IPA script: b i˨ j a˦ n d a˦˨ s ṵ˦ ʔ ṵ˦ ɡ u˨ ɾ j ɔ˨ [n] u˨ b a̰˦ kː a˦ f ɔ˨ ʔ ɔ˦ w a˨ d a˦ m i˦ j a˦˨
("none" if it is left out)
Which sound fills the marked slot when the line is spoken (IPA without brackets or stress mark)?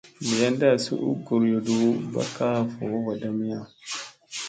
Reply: d